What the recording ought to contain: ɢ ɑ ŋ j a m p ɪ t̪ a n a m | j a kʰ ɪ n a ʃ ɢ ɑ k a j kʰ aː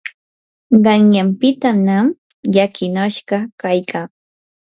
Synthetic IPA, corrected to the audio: ɢ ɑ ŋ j a m p ɪ t̪ a n a m | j a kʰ ɪ n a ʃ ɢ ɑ k a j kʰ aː